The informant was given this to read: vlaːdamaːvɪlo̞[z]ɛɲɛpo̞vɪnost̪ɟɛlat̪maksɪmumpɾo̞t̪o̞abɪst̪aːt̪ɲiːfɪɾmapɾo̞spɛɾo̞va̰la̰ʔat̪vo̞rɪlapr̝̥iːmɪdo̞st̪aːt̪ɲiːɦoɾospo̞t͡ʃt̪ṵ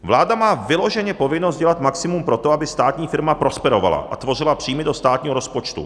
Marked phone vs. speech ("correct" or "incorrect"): incorrect